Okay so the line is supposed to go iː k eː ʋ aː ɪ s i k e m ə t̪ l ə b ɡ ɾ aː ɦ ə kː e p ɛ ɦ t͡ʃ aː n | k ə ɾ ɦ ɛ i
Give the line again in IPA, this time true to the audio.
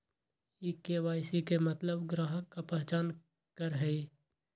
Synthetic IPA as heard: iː k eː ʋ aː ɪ s i k e m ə t̪ l ə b ɡ ɾ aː ɦ ə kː a p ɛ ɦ t͡ʃ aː n | k ə ɾ ɦ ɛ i